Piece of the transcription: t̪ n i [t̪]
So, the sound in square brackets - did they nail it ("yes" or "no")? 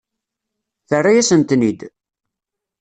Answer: no